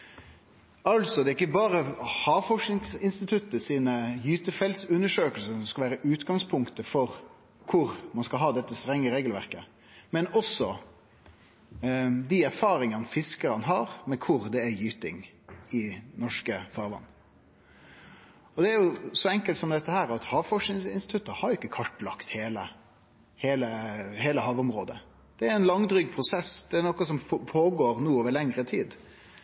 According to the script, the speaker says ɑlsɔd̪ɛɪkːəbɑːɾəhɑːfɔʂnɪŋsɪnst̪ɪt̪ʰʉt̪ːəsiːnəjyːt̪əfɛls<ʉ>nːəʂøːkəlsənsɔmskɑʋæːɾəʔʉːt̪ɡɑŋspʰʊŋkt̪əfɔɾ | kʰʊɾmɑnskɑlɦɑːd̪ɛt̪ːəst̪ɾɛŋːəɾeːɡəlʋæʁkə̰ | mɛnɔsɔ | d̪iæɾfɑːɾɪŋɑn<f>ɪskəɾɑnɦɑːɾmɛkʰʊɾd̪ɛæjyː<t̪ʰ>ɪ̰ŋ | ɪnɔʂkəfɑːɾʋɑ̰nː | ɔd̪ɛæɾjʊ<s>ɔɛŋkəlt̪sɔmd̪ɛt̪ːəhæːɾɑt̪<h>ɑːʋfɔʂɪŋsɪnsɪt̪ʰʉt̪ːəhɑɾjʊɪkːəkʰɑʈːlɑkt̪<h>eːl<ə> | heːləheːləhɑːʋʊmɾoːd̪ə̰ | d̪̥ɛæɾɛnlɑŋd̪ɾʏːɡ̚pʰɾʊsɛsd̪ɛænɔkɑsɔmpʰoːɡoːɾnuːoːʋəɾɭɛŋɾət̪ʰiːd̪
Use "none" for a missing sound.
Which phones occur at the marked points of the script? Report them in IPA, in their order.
ʉ, f, t̪, s, h, h, ə

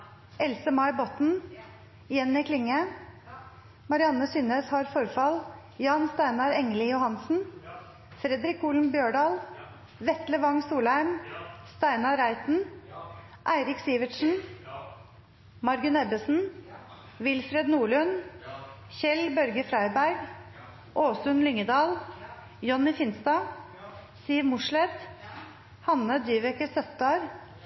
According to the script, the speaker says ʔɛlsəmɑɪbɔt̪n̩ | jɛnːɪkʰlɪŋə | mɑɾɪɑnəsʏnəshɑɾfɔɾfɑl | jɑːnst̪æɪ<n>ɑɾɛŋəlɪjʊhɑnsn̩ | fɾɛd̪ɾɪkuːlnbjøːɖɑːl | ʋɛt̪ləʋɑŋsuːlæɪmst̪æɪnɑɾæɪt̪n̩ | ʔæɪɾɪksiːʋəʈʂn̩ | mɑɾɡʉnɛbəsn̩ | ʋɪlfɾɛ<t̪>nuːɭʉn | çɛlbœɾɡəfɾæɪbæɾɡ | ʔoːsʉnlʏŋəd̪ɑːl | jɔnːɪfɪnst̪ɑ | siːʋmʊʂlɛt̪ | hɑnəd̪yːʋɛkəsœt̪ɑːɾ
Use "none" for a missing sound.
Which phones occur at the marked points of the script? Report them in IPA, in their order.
n, d̪

